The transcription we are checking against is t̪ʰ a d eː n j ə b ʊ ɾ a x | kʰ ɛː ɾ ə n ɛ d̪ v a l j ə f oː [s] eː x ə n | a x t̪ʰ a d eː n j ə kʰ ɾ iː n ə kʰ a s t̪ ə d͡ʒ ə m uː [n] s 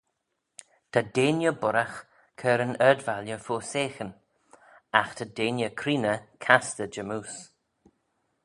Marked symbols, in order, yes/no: yes, no

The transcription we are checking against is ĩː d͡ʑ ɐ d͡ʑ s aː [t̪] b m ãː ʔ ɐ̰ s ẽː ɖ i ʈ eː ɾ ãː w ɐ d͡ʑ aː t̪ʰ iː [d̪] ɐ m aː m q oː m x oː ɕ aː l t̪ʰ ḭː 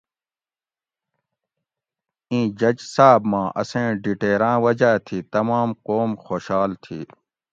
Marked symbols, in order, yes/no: no, no

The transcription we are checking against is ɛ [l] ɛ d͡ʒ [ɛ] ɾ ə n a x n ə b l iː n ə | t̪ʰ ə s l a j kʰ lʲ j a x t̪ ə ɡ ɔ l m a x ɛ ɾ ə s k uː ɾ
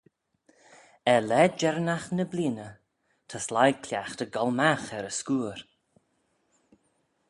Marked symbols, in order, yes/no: yes, yes

